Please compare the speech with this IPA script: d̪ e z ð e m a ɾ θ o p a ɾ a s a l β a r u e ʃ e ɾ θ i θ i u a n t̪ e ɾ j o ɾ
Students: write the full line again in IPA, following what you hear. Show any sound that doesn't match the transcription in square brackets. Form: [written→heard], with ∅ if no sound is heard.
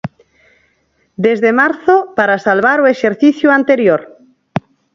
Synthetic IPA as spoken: d̪ e z ð e m a ɾ θ o p a ɾ a s a l β a [r→ɾ] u e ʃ e ɾ θ i θ [i→j] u a n t̪ e ɾ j o ɾ